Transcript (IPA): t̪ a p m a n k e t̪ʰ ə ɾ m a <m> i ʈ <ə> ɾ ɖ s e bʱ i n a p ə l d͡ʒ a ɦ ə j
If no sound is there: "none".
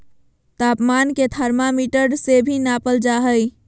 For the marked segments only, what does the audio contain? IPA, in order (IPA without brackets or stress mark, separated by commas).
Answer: m, ə